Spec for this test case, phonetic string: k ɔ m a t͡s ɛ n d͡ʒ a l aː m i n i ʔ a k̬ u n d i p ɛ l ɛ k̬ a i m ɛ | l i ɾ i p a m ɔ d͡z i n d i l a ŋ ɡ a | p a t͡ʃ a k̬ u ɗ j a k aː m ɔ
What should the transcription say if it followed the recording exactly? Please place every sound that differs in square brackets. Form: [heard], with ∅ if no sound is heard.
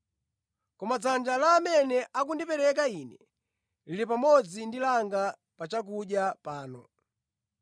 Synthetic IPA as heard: k ɔ m a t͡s [a] n d͡ʒ a l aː m [ɛ] n [ɛ] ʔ a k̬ u n d i p ɛ [ɾ] ɛ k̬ a i [n] ɛ | l i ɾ i p a m ɔ d͡z i n d i l a ŋ ɡ a | p a t͡ʃ a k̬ u ɗ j a [p] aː [n] ɔ